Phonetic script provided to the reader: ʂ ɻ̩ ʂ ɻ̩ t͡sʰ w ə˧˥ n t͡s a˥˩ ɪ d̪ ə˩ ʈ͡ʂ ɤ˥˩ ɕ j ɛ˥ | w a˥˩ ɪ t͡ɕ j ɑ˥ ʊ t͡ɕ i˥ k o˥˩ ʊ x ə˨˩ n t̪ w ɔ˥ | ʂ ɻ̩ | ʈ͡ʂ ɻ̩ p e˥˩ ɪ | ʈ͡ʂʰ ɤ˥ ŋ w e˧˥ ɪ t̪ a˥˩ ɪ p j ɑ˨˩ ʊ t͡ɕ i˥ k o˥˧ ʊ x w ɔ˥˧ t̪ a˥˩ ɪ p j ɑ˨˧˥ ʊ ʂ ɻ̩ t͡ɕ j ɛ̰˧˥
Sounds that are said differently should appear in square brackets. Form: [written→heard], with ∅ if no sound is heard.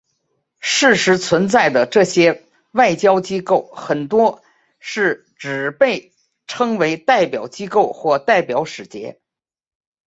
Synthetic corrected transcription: ʂ ɻ̩ ʂ ɻ̩ t͡sʰ w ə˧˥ n t͡s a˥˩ ɪ d̪ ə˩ ʈ͡ʂ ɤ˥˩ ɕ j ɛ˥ | w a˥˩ ɪ t͡ɕ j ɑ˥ ʊ t͡ɕ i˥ k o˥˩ ʊ x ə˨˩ n t̪ w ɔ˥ | ʂ ɻ̩ | ʈ͡ʂ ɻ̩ p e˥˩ ɪ | ʈ͡ʂʰ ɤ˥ ŋ w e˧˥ ɪ t̪ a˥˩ ɪ p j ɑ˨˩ ʊ t͡ɕ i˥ k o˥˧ ʊ x w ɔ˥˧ t̪ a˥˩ ɪ p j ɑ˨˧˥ ʊ ʂ ɻ̩ t͡ɕ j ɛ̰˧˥